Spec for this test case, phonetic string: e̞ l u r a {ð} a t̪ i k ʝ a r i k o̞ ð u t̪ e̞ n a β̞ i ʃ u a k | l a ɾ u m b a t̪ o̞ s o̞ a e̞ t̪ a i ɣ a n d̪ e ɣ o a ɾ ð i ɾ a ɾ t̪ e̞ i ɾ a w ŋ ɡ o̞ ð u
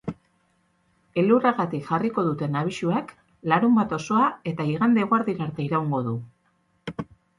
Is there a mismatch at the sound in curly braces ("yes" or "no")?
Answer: yes